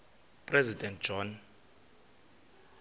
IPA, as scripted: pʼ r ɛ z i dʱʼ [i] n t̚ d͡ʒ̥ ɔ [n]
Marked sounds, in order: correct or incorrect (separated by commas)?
incorrect, correct